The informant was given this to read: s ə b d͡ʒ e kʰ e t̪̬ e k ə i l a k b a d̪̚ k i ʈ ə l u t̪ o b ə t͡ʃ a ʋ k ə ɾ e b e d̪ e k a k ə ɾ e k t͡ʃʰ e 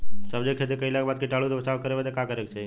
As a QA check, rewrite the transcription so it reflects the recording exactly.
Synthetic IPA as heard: s ə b d͡ʒ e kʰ e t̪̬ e k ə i l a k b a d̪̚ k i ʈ a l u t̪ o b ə t͡ʃ a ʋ k ə ɾ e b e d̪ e k a k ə ɾ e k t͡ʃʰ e